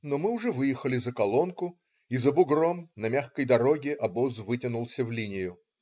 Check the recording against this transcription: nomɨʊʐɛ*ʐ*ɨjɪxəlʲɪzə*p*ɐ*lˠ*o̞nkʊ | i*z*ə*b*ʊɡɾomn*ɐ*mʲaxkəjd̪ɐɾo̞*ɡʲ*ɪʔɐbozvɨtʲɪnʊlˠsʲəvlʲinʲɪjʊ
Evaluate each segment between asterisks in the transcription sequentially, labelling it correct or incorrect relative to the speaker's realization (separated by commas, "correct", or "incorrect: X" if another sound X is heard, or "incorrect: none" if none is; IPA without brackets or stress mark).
incorrect: v, incorrect: k, correct, correct, correct, correct, correct